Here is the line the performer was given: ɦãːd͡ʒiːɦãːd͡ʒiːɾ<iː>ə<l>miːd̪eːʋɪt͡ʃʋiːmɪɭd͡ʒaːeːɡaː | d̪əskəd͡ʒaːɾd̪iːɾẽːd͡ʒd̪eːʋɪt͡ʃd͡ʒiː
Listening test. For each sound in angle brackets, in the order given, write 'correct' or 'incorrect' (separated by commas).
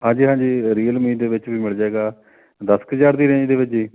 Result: correct, correct